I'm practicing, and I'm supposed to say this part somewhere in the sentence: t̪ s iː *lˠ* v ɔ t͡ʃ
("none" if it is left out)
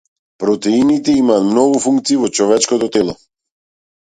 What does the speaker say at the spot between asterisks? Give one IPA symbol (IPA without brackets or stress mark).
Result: none